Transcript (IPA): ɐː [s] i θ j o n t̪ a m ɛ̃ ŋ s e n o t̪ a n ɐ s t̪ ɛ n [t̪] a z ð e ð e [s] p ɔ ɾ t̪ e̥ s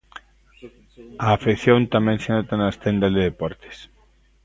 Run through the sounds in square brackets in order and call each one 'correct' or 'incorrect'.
incorrect: f, incorrect: d̪, incorrect: none

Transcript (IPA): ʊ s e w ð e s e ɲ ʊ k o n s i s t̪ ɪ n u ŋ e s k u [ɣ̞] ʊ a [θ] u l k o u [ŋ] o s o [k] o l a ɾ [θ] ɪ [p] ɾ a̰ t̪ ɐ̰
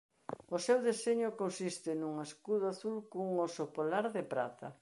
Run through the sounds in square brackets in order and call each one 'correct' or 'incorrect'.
incorrect: ð̞, correct, correct, incorrect: p, incorrect: ð, correct

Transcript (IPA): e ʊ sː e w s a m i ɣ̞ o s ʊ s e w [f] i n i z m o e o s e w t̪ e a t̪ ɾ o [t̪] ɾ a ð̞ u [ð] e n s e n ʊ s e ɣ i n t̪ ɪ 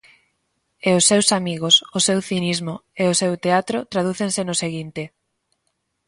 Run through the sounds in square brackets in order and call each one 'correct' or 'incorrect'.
incorrect: θ, correct, incorrect: θ

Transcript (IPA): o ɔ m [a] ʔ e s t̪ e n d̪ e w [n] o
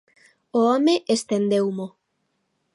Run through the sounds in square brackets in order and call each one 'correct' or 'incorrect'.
incorrect: e, incorrect: m

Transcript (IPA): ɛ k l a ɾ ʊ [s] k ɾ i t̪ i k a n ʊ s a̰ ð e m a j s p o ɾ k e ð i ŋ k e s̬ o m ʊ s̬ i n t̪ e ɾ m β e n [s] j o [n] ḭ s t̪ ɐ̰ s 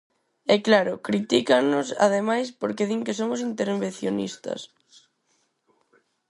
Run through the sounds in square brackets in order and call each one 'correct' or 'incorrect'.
incorrect: none, incorrect: θ, correct

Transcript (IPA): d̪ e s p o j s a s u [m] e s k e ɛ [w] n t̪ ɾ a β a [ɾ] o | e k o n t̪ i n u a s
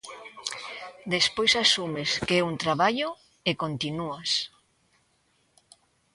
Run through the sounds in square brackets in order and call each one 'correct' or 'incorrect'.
correct, incorrect: u, incorrect: ʎ

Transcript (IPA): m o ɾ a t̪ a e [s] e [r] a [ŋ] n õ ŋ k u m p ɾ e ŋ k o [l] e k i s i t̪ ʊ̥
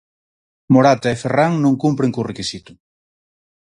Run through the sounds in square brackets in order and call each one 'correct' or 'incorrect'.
incorrect: f, correct, correct, incorrect: r

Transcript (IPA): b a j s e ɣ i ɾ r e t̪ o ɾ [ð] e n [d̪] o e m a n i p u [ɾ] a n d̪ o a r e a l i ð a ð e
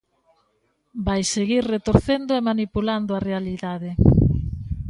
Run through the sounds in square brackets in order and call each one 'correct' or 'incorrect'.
incorrect: θ, correct, incorrect: l

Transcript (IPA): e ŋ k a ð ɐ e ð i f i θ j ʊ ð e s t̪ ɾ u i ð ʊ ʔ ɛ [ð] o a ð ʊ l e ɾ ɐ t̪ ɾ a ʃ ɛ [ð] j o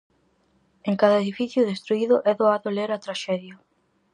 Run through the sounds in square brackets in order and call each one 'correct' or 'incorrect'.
correct, correct

